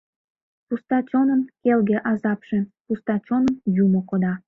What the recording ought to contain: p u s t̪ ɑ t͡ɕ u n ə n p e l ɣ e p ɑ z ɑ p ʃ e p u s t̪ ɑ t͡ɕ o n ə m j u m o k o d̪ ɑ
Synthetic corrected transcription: p u s t̪ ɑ t͡ɕ o n ə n k e l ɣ e ʔ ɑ z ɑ p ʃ e p u s t̪ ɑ t͡ɕ o n ə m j u m o k o d̪ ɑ